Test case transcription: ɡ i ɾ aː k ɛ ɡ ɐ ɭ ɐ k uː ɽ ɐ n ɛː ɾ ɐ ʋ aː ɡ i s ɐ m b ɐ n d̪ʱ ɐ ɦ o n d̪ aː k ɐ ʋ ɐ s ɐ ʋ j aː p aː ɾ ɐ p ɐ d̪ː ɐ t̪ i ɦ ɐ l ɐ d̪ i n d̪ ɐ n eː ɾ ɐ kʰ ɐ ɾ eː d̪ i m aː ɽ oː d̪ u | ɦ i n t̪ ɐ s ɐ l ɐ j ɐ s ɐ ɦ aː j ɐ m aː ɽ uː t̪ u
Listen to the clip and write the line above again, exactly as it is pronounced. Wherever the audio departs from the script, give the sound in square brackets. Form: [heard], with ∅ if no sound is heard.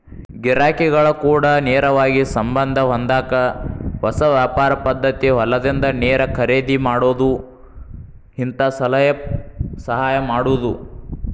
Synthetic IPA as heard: ɡ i ɾ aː k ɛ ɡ ɐ ɭ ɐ k uː ɽ ɐ n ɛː ɾ ɐ ʋ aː ɡ i s ɐ m b ɐ n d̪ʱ ɐ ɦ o n d̪ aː k ɐ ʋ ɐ s ɐ ʋ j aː p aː ɾ ɐ p ɐ d̪ː ɐ t̪ i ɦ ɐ l ɐ d̪ i n d̪ ɐ n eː ɾ ɐ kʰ ɐ ɾ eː d̪ i m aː ɽ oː d̪ u | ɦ i n t̪ ɐ s ɐ l ɐ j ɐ s ɐ ɦ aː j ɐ m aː ɽ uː [d̪] u